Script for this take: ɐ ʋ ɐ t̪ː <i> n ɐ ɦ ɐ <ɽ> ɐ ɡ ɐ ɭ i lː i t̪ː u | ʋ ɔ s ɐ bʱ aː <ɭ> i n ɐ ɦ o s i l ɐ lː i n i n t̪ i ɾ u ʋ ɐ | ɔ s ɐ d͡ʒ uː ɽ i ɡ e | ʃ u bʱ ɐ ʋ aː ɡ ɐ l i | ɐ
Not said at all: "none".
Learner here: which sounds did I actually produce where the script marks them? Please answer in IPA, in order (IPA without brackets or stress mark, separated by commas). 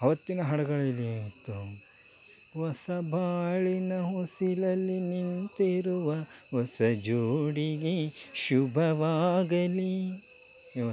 i, ɽ, ɭ